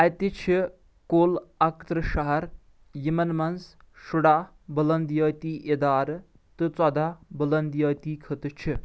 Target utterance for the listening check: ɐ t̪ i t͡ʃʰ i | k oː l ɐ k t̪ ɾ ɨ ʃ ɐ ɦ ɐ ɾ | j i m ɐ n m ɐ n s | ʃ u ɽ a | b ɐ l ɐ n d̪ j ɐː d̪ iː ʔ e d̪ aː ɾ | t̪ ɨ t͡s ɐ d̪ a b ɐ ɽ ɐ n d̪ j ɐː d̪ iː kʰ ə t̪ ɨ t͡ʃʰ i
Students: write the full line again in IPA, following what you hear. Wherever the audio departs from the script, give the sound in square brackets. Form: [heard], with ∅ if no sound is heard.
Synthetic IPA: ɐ t̪ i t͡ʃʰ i | k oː l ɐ k t̪ ɾ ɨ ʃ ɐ ɦ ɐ ɾ | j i m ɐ n m ɐ n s | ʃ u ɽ a | b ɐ l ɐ n d̪ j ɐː [t̪] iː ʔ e d̪ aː ɾ | t̪ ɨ t͡s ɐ d̪ a b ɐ [l] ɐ n d̪ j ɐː [t̪] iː kʰ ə t̪ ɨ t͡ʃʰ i